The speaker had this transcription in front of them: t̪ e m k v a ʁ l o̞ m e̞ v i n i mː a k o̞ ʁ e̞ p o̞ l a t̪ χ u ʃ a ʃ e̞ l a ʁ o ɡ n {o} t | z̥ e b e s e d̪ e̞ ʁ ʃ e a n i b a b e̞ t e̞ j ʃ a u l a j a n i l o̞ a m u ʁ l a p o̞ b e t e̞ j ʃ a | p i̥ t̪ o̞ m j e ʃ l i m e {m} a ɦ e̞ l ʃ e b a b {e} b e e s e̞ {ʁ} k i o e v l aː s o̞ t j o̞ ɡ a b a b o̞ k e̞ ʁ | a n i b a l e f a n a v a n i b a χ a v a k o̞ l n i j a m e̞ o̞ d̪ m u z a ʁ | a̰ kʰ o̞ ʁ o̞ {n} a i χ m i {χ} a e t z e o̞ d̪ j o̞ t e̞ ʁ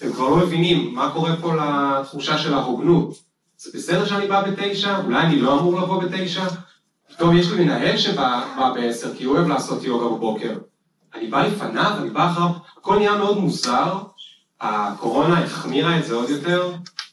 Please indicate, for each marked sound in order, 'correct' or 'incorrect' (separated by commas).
incorrect, incorrect, incorrect, correct, correct, incorrect